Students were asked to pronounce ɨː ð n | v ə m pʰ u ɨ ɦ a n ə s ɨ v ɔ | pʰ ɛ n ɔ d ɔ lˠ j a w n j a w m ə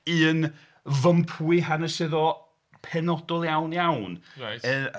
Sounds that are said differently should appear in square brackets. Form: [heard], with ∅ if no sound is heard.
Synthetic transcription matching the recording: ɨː [∅] n | v ə m pʰ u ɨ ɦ a n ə s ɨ [ð] ɔ | pʰ ɛ n ɔ d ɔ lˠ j a w n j a w [n] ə